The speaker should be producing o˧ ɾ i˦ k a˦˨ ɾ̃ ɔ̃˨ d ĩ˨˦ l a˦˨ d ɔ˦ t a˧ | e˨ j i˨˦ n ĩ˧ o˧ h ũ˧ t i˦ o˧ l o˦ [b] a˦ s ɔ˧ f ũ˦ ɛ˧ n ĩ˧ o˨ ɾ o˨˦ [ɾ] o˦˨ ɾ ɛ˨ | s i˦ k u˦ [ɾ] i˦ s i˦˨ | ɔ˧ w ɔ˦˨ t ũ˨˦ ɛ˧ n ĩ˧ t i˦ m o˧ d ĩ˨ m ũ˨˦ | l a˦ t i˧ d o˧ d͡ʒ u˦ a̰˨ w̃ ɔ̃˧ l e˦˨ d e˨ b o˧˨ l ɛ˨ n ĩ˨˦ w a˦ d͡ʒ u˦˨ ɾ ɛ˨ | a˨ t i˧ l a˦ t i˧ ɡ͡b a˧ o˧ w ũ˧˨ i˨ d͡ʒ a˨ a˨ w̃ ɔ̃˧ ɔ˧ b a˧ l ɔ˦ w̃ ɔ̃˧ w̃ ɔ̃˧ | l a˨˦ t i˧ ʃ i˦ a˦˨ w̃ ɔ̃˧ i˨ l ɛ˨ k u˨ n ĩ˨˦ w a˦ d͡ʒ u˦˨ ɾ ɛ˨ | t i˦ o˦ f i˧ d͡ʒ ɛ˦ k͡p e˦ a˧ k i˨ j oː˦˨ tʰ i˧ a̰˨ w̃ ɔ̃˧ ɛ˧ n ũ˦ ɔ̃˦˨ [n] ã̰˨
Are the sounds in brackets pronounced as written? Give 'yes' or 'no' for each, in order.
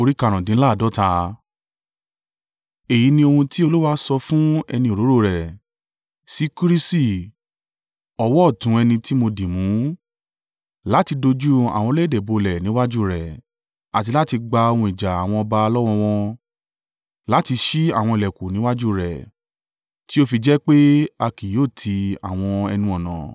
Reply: no, yes, yes, yes

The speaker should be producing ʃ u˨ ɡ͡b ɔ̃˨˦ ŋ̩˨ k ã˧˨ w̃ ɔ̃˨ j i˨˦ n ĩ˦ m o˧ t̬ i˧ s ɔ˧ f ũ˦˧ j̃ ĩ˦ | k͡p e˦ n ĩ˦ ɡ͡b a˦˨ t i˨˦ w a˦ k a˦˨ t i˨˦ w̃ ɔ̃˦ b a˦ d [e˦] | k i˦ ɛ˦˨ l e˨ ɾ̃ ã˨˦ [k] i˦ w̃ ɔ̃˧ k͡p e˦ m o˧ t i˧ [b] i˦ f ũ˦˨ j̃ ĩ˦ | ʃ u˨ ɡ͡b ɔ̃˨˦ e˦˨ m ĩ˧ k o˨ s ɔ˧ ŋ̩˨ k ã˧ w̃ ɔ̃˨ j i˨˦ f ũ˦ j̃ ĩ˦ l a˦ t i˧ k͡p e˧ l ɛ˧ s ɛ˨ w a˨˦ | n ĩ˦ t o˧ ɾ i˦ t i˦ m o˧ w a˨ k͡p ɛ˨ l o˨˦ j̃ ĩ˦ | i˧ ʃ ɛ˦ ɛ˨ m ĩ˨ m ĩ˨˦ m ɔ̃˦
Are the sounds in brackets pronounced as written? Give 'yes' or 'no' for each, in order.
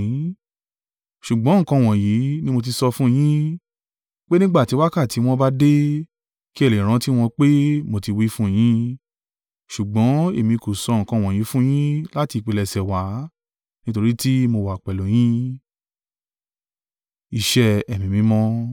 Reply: yes, no, no

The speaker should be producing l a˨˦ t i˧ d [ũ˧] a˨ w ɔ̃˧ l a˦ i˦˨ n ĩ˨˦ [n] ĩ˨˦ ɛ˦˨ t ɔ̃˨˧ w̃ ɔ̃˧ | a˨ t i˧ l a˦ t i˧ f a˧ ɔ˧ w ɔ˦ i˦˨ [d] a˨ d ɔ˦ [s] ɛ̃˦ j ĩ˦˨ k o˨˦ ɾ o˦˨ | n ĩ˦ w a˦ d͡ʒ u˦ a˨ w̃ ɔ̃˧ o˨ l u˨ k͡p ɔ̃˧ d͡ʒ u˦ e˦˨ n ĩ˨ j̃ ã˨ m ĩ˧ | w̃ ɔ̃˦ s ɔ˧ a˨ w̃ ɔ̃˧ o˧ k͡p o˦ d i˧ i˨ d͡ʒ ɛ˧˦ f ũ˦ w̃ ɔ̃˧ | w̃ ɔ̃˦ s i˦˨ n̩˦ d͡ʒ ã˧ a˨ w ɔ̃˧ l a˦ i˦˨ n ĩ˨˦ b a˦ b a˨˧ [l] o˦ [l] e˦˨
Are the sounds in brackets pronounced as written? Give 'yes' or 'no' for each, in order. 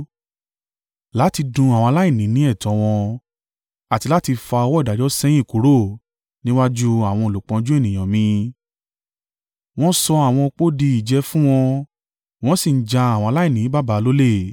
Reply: yes, yes, yes, yes, yes, yes

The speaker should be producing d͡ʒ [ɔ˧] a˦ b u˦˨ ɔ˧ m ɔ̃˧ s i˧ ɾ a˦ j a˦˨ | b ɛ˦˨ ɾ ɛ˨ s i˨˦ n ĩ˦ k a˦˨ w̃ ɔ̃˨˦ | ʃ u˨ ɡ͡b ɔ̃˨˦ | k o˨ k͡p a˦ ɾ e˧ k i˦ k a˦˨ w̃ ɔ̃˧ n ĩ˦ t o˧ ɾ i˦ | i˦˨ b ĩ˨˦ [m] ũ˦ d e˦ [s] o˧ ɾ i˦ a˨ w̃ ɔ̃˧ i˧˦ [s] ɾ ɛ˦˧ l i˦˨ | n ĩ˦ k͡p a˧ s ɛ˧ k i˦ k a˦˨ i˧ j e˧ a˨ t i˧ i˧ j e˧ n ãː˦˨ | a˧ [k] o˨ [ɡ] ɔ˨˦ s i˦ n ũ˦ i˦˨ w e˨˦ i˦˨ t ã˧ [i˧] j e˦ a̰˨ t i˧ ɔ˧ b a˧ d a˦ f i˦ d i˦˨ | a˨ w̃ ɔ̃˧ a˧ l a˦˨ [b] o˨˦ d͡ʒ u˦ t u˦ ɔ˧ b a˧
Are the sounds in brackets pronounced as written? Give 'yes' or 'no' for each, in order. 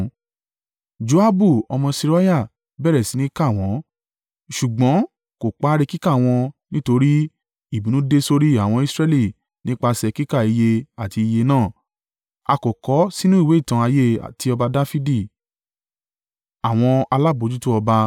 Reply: no, no, yes, yes, yes, no, no, yes

